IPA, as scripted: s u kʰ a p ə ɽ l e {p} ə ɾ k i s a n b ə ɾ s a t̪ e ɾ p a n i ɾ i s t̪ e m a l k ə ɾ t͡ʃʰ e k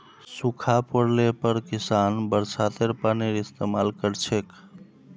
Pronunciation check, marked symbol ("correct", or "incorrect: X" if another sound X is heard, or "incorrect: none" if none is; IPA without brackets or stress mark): correct